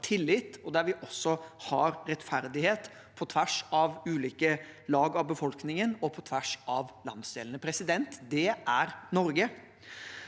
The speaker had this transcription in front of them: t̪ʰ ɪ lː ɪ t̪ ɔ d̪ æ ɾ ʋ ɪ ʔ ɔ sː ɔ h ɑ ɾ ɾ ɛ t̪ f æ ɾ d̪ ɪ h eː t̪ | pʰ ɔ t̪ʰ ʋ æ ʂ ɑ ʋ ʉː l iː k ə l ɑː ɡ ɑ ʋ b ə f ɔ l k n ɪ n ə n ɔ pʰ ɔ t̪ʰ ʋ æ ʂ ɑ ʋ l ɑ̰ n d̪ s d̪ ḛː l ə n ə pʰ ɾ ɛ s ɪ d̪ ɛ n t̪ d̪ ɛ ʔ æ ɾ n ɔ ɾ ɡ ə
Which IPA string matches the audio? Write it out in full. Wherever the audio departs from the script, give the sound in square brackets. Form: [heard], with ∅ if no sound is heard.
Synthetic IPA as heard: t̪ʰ ɪ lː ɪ t̪ ɔ d̪ æ ɾ ʋ ɪ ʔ ɔ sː ɔ h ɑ ɾ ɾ ɛ t̪ f æ ɾ d̪ ɪ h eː t̪ | pʰ ɔ t̪ʰ ʋ æ ʂ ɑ ʋ ʉː l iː k ə l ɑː ɡ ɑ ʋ b ə f ɔ l k n ɪ [ŋ] ə n ɔ pʰ ɔ t̪ʰ ʋ æ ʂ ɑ ʋ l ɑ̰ n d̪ s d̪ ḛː l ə n ə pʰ ɾ ɛ s ɪ d̪ ɛ n t̪ d̪ ɛ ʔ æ ɾ n ɔ ɾ ɡ ə